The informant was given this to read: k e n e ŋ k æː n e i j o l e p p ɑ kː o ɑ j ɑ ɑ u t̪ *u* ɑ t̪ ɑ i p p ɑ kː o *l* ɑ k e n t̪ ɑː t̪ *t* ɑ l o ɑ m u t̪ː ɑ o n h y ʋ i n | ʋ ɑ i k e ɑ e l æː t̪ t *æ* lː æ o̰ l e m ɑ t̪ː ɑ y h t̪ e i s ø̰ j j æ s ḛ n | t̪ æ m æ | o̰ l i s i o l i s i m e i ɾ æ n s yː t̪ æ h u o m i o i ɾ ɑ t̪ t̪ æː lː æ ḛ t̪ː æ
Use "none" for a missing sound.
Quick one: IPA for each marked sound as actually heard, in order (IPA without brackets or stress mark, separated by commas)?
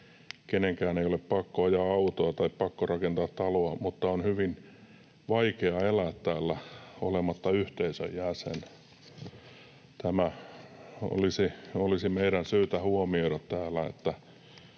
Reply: o, r, t, æː